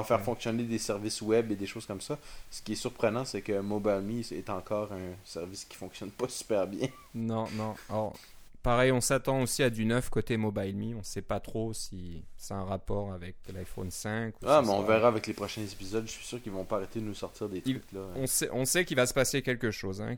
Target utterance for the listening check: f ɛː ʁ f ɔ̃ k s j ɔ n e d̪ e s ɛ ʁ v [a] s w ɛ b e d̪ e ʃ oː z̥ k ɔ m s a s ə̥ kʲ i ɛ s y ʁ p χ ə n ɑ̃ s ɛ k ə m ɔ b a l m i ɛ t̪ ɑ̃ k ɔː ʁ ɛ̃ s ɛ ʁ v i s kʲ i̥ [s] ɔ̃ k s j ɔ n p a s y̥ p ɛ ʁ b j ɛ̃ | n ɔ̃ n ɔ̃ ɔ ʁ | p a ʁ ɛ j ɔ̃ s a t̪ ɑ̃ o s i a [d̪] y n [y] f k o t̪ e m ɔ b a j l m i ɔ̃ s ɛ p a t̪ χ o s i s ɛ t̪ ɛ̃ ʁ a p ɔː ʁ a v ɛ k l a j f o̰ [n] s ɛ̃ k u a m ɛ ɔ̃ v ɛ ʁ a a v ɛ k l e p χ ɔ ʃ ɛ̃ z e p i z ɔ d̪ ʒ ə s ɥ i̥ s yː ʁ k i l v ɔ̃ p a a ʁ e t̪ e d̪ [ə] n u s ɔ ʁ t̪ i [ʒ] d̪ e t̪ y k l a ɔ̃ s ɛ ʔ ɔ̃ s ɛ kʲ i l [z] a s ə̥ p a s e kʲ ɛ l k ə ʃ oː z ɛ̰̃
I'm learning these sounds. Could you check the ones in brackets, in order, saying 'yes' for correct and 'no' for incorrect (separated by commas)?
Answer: no, no, yes, no, yes, yes, no, no